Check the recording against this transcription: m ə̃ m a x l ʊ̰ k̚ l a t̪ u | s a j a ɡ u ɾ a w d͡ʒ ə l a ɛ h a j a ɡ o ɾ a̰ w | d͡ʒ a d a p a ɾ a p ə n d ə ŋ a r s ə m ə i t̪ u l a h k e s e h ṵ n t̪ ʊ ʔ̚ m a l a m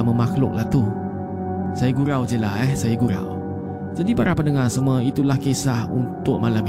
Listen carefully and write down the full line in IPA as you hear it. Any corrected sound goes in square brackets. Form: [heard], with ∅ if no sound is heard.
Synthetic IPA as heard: m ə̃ m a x l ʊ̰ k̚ l a t̪ u | s a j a ɡ u ɾ a w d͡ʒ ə l a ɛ [s] a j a ɡ [u] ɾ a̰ w | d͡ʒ a d [i] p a ɾ a p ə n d ə ŋ a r s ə m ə i t̪ u l a h k e s [a] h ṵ n t̪ ʊ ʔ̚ m a l a m